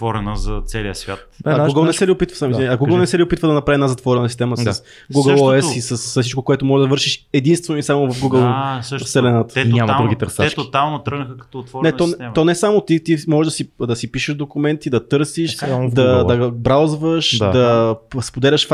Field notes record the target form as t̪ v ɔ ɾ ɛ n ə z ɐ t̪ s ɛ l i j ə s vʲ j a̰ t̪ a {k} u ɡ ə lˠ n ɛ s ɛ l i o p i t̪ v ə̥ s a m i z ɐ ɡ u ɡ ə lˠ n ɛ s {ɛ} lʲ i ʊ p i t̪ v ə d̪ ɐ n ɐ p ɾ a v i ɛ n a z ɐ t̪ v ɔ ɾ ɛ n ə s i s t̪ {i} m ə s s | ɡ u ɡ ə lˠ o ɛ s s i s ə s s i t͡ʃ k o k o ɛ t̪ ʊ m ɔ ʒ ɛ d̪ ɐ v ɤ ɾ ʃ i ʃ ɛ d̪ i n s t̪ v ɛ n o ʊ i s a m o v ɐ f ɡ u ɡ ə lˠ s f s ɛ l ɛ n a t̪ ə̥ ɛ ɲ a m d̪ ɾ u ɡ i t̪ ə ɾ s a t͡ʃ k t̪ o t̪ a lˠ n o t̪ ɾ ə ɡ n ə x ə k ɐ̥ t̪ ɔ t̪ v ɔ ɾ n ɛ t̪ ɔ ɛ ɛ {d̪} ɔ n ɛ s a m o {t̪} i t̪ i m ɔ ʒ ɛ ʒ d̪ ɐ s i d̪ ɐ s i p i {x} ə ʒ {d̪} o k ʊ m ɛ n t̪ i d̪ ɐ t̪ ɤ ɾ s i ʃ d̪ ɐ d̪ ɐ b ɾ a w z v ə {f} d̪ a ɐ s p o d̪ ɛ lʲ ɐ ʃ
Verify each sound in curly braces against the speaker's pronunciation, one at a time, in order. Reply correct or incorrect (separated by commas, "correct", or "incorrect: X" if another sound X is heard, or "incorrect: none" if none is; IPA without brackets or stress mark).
incorrect: ɡ, correct, incorrect: ɛ, incorrect: t̪, correct, incorrect: ʃ, correct, incorrect: ʃ